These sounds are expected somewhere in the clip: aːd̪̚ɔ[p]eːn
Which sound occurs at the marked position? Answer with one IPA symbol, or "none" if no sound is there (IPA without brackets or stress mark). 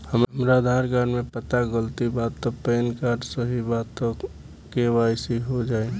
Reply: p